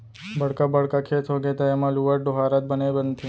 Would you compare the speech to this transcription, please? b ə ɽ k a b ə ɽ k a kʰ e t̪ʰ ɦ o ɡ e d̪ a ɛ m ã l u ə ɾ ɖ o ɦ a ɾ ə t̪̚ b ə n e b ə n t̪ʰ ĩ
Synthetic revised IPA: b ə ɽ k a b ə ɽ k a kʰ e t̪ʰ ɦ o ɡ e t̪ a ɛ m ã l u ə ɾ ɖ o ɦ a ɾ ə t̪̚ b ə n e b ə n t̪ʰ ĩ